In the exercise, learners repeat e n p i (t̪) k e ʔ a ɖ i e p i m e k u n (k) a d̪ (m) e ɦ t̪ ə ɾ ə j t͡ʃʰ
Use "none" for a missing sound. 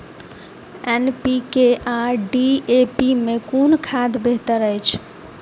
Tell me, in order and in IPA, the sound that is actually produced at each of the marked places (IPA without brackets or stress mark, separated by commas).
none, kʰ, b